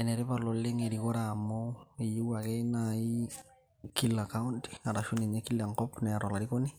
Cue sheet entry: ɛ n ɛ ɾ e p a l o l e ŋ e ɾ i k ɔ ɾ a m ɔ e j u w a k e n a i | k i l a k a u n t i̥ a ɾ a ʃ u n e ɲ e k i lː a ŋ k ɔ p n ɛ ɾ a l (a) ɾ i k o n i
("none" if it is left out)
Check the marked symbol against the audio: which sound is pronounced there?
a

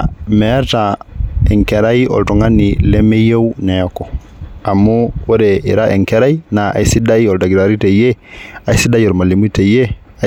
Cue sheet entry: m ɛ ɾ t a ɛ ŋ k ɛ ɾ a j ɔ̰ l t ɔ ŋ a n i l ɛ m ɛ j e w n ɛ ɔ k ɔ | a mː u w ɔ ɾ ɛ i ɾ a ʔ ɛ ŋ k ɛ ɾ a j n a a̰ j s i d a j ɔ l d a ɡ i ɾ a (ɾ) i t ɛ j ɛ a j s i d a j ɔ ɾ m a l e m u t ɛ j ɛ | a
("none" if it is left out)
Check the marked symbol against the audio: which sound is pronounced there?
ɾ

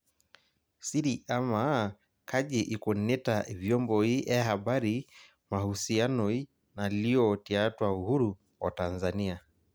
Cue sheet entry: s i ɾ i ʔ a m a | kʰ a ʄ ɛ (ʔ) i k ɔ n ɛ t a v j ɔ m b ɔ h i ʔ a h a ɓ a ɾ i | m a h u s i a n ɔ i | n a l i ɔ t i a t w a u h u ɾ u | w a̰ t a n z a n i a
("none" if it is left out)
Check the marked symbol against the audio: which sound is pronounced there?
ʔ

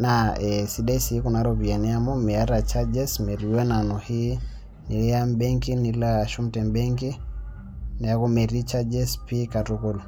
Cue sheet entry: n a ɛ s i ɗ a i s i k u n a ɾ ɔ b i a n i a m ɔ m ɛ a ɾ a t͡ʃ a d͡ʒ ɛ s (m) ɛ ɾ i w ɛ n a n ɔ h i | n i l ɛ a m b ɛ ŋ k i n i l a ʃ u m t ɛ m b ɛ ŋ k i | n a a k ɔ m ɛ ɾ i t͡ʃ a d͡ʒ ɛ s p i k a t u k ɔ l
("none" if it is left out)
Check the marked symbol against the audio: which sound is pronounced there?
m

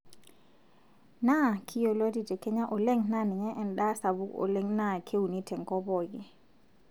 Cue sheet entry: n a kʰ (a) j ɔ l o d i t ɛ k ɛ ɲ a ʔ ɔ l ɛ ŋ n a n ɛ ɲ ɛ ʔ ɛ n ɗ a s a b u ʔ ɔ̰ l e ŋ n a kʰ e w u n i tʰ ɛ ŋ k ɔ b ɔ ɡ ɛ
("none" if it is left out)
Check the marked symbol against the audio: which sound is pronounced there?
i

